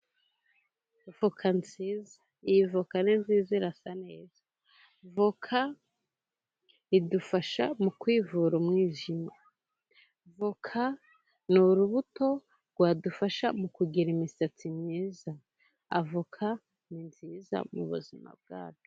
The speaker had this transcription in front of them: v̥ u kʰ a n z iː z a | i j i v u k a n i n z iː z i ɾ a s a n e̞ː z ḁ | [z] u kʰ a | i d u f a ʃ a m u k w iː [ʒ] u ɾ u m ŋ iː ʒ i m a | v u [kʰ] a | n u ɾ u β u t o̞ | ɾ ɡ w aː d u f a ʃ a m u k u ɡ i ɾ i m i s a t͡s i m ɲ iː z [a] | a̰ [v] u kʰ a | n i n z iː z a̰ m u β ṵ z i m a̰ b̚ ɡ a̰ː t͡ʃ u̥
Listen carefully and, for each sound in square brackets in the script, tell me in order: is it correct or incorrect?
incorrect: v, incorrect: v, correct, correct, correct

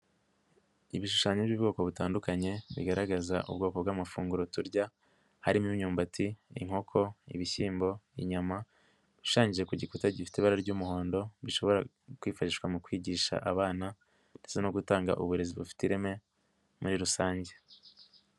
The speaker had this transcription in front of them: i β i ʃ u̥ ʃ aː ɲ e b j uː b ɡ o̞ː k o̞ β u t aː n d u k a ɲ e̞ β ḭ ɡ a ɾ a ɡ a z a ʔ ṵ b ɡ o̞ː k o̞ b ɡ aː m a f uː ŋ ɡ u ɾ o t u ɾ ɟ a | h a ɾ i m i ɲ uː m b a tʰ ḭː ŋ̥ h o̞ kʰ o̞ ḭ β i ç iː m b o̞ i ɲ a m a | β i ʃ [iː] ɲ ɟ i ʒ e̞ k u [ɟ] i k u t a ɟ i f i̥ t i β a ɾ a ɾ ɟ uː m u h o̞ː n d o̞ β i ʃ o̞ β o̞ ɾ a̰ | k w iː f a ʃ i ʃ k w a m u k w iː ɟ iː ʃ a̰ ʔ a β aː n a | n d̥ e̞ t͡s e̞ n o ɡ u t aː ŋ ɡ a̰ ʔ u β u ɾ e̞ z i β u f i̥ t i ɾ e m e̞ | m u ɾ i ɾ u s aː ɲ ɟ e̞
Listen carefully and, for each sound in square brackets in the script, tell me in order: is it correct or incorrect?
incorrect: aː, correct

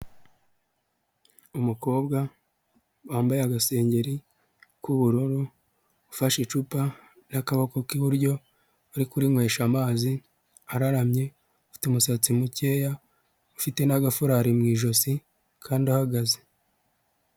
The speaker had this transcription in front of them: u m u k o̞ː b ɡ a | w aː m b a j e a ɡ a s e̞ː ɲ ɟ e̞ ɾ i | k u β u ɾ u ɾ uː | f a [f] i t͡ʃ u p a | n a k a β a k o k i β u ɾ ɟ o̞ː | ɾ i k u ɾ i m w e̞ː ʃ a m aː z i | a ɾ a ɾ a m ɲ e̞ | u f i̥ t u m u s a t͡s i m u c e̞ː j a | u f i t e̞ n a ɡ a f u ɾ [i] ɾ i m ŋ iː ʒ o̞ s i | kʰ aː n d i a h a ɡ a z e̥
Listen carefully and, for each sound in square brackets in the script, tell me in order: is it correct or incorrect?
incorrect: ʃ, incorrect: a

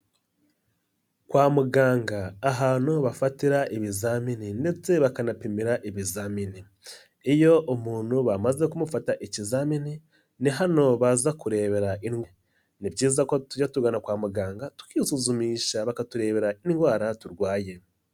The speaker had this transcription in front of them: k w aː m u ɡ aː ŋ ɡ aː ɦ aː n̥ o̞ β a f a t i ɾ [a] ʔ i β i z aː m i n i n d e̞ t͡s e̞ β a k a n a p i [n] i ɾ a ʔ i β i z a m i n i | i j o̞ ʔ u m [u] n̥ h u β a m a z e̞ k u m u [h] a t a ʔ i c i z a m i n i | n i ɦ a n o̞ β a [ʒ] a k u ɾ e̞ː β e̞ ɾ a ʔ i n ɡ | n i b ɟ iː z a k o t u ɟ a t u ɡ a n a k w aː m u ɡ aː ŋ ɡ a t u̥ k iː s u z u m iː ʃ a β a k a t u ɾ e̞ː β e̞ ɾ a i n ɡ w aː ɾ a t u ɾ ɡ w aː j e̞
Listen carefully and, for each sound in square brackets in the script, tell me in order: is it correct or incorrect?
correct, incorrect: m, incorrect: uː, incorrect: f, incorrect: z

